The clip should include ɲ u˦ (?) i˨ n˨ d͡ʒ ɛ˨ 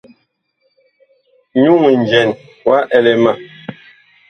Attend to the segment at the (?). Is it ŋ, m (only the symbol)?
ŋ